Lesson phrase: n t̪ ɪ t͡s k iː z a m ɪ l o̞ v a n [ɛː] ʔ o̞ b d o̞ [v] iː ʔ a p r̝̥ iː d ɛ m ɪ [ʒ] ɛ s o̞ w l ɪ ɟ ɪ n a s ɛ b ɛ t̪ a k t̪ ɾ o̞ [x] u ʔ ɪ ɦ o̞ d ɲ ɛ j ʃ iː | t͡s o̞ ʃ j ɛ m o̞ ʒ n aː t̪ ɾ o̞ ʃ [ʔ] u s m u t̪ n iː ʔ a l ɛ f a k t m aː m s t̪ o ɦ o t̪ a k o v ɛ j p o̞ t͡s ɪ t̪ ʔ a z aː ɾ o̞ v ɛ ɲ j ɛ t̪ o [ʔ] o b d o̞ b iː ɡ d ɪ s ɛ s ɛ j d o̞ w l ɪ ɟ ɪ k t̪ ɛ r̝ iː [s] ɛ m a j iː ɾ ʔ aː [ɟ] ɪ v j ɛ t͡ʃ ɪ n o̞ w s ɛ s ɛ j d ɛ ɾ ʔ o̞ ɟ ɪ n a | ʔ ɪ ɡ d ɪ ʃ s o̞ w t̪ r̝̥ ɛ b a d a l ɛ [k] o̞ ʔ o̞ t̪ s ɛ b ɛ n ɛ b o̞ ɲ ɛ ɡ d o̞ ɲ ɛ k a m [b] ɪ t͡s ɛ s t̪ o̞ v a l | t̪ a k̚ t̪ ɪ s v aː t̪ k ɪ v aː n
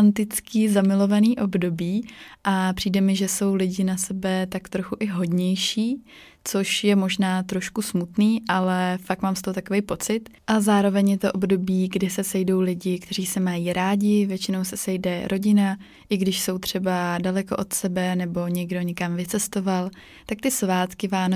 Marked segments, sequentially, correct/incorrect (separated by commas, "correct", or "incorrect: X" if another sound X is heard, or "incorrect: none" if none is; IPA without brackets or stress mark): incorrect: iː, incorrect: b, correct, correct, incorrect: k, correct, correct, correct, correct, incorrect: v